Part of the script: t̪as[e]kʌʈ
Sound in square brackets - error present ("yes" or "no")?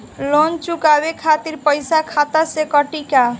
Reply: no